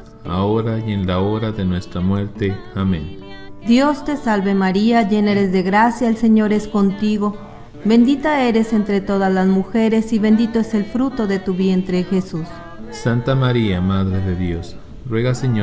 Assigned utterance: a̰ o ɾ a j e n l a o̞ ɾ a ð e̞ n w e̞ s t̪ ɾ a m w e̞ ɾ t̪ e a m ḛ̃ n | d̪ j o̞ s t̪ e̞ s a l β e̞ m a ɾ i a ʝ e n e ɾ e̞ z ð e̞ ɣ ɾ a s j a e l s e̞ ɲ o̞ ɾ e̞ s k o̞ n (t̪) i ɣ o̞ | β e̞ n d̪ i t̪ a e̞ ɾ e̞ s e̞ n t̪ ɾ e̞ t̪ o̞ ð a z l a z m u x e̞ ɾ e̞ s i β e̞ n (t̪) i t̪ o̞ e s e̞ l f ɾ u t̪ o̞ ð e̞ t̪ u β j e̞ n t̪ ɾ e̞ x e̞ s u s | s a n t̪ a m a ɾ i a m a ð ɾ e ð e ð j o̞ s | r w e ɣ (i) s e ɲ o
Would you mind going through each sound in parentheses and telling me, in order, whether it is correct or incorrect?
correct, incorrect: d̪, incorrect: a

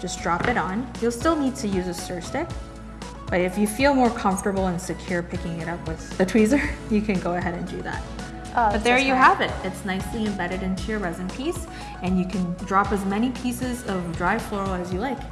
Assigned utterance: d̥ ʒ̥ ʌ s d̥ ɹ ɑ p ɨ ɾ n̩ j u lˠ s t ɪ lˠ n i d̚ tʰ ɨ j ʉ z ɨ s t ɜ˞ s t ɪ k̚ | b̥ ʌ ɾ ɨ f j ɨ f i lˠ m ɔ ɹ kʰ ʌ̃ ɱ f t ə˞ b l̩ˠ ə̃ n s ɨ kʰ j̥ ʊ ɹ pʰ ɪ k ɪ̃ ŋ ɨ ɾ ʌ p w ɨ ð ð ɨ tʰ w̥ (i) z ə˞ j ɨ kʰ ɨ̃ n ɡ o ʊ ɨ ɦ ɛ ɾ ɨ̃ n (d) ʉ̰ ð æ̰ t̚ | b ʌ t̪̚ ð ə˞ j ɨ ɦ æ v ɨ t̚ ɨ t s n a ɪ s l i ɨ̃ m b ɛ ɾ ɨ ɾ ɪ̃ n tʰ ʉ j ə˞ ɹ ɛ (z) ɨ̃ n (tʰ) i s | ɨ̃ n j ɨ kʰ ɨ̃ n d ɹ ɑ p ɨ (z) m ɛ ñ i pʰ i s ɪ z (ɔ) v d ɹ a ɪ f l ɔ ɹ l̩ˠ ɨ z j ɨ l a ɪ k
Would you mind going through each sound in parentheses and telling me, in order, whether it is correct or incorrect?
correct, correct, correct, incorrect: pʰ, correct, incorrect: ʌ

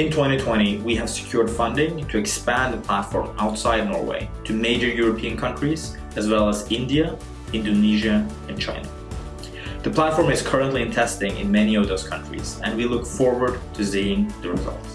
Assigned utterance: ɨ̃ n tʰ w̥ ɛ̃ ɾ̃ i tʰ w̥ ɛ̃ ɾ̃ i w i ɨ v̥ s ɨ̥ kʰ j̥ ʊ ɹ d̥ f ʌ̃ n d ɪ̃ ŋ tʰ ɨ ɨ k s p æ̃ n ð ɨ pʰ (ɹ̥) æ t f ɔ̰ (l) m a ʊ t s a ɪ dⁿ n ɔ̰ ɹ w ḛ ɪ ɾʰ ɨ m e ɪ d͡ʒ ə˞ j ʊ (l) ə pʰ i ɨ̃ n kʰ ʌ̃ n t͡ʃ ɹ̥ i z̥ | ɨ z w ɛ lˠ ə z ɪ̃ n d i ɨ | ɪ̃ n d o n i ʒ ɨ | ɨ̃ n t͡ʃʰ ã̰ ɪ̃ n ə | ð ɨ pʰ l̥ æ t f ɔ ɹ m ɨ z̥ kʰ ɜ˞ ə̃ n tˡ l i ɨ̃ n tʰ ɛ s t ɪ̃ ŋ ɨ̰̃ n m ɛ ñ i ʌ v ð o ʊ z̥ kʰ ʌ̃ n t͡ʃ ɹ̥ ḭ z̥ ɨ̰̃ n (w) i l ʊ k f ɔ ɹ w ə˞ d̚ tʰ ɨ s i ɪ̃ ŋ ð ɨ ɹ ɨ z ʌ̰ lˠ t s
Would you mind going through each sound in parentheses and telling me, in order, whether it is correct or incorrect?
incorrect: l̥, incorrect: ɹ, incorrect: ɹ, correct

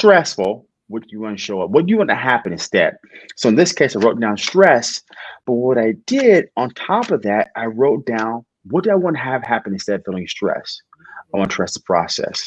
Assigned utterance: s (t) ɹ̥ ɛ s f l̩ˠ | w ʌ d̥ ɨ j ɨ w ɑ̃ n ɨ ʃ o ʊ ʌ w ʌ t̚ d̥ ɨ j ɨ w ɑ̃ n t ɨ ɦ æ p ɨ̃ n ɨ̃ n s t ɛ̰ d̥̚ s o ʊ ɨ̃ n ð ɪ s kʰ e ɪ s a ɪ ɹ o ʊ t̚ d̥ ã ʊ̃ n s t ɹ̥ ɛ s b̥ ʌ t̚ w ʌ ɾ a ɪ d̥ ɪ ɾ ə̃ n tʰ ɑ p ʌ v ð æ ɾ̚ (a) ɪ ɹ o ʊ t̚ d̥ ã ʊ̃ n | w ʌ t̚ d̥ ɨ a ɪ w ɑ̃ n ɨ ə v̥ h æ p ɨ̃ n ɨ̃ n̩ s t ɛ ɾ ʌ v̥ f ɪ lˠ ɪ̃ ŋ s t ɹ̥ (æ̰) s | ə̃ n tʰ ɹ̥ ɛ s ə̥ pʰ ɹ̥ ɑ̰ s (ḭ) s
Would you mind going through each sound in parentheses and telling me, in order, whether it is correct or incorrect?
correct, correct, incorrect: ɛ̰, incorrect: ɛ̰

